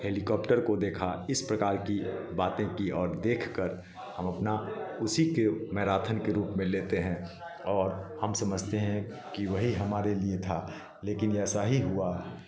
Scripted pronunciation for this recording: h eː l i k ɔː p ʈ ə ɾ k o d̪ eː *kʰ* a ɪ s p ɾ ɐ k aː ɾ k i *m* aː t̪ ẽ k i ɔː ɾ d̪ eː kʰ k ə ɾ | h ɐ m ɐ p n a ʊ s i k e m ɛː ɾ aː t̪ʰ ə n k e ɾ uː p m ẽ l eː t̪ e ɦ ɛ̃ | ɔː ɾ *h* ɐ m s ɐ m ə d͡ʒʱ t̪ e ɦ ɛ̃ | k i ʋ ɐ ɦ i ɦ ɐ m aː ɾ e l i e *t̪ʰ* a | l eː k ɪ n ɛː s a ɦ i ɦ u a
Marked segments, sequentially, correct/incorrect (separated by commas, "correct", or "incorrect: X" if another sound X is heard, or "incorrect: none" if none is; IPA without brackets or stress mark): correct, incorrect: b, correct, correct